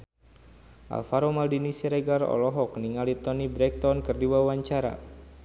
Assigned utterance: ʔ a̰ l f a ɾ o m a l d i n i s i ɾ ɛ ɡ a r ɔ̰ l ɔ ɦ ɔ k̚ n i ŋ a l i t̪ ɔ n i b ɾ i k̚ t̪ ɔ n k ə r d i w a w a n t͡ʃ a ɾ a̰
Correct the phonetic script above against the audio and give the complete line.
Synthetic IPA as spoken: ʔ a̰ l f a ɾ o m a l d i n i s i ɾ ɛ ɡ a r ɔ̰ l ɔ ɦ ɔ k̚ n i ŋ a l i t̪ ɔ n i b ɾ ɛ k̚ t̪ ɔ n k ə r d i w a w a ɲ t͡ʃ a ɾ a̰